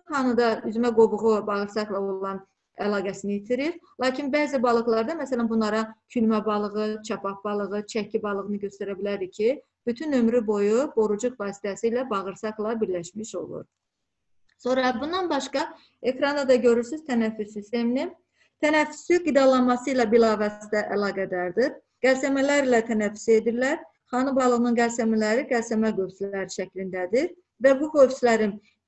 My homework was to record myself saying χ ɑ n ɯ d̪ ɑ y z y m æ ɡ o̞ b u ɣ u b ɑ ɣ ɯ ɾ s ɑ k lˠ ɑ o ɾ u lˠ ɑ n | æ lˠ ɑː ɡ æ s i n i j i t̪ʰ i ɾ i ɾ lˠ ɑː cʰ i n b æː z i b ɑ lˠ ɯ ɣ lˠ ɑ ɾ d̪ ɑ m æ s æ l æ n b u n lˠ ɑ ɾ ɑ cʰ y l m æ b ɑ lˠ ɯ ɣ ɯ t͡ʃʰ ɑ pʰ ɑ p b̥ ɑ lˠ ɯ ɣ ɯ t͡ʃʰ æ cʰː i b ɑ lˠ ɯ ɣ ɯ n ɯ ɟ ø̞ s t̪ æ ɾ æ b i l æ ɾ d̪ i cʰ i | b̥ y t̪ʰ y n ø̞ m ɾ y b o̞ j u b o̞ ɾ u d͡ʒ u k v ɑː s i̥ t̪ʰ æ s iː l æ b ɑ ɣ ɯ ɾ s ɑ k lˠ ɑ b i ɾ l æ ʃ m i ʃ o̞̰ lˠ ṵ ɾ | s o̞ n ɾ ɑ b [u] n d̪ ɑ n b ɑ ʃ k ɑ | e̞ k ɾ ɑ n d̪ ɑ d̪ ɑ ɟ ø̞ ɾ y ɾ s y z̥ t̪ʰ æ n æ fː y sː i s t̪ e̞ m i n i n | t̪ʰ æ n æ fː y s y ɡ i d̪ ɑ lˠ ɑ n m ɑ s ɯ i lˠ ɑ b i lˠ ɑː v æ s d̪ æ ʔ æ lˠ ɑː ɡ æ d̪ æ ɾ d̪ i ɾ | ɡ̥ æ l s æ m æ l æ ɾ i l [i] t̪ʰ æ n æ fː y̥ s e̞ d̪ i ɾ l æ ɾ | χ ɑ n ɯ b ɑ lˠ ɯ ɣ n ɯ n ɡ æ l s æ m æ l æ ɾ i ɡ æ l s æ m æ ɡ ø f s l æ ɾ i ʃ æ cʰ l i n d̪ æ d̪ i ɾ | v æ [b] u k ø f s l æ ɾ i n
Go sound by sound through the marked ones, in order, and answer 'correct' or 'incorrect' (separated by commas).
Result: correct, incorrect, correct